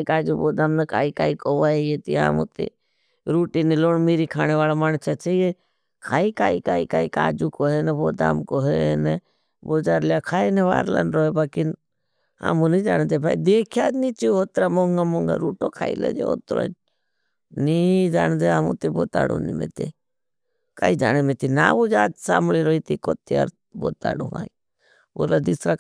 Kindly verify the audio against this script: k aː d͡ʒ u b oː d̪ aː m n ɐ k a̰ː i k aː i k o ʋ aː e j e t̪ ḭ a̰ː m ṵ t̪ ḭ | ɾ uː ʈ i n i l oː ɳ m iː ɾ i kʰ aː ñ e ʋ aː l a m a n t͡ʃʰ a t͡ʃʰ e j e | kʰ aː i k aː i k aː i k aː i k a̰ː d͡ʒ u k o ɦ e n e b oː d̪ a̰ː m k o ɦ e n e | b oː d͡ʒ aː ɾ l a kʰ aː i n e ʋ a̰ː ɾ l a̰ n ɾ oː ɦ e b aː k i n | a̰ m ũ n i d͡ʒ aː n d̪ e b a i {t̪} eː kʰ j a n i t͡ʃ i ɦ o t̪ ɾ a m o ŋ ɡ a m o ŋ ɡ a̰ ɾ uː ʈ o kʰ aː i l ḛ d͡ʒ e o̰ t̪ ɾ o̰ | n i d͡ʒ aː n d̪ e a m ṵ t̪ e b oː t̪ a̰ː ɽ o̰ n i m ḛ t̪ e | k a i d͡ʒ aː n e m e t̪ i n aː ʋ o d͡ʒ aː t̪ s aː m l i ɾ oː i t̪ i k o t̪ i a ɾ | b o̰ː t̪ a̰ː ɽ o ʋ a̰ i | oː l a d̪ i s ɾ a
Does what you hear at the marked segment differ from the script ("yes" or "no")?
yes